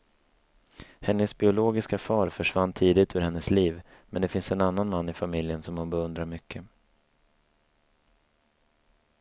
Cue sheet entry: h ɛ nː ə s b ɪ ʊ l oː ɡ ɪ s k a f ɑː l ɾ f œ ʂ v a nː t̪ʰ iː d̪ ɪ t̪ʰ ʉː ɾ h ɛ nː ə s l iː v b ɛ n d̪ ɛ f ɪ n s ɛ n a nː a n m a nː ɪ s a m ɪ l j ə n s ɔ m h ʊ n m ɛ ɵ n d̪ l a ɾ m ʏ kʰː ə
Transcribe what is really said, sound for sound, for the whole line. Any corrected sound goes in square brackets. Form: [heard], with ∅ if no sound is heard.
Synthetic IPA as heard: h ɛ nː ə s b ɪ ʊ l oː ɡ ɪ s k a f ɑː [∅] ɾ f œ ʂ v a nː t̪ʰ iː d̪ ɪ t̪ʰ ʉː ɾ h ɛ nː ə s l iː v [m] ɛ n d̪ ɛ f ɪ n s ɛ n a nː a n m a nː ɪ [f] a m ɪ l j ə n s ɔ m h ʊ n [b] ɛ ɵ n d̪ [ɾ] a ɾ m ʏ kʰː ə